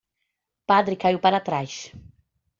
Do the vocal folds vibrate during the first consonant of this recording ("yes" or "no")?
no